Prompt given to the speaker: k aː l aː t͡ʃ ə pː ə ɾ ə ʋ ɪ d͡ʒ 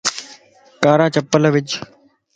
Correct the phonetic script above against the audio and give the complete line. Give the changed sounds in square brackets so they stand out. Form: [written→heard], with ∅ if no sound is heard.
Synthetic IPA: k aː [l→ɾ] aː t͡ʃ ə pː ə [ɾ→l] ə ʋ ɪ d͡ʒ